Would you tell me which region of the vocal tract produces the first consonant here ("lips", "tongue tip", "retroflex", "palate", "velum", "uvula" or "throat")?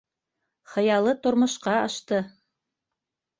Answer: uvula